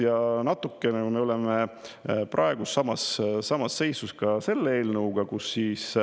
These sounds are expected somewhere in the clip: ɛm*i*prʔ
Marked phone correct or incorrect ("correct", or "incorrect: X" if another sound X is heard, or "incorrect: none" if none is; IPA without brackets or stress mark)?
incorrect: e